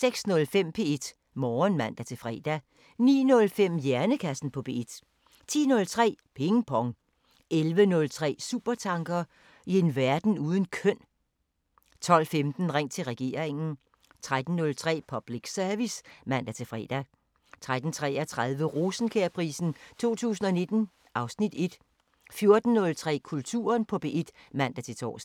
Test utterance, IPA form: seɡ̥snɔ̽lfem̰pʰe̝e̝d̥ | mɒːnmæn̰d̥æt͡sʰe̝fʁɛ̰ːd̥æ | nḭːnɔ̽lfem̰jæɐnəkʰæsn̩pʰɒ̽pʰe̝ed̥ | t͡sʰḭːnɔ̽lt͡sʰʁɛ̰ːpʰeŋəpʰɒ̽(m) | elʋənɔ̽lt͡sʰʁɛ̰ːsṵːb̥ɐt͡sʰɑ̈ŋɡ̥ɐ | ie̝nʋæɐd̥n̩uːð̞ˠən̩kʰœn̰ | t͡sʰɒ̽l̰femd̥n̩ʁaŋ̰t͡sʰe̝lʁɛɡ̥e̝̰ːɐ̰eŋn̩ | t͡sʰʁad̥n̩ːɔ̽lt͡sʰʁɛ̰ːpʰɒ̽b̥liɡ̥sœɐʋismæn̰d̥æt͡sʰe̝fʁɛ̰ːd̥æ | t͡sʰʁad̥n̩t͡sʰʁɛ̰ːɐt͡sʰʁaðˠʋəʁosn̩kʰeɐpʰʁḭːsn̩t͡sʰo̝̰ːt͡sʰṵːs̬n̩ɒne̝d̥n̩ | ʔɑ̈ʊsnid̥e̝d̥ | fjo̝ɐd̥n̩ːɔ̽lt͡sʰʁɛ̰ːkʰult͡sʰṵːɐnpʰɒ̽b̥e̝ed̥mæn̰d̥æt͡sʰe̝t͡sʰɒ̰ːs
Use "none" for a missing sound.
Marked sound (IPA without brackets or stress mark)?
ŋ